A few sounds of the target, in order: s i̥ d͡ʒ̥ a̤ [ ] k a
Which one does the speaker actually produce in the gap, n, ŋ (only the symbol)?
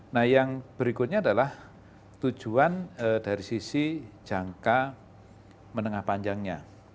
ŋ